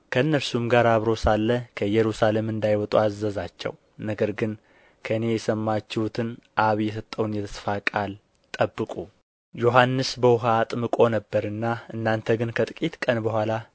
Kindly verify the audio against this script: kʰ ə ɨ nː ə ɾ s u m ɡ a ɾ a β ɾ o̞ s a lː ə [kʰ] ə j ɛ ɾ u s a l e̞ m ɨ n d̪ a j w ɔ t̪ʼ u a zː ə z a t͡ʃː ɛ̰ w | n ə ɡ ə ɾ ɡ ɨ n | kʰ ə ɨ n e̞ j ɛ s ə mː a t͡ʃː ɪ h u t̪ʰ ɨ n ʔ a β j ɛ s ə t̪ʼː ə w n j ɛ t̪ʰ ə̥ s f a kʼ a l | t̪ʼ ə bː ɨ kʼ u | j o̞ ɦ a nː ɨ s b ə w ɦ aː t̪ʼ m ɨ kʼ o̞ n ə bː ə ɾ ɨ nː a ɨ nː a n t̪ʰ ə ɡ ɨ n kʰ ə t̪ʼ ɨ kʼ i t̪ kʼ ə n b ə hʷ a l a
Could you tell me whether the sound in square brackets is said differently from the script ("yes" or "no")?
no